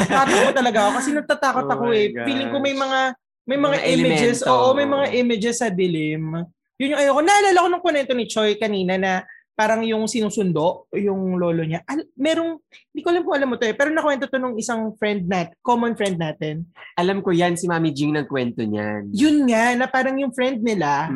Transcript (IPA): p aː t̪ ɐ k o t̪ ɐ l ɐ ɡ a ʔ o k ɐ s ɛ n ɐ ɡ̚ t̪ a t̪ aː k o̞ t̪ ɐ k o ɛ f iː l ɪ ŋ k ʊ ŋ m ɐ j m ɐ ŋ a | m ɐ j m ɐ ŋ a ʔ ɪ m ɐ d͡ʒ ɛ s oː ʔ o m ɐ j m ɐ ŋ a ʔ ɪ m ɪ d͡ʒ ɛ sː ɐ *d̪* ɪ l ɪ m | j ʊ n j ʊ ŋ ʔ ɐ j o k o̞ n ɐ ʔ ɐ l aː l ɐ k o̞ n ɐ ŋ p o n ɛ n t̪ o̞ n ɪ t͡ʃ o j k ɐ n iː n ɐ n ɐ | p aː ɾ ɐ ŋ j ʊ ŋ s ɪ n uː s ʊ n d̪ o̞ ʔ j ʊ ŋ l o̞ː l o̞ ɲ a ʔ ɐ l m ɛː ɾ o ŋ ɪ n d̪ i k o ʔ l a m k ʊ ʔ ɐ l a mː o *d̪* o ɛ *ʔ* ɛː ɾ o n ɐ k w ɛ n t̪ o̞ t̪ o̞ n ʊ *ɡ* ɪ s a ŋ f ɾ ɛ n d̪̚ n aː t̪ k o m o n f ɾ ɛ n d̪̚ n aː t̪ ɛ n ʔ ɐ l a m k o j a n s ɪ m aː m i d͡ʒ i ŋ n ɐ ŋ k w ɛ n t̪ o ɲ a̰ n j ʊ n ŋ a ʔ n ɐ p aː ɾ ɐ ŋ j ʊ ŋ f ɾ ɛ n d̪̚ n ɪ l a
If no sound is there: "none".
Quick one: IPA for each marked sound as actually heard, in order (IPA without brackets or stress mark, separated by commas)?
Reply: d̪, t̪, p, ŋ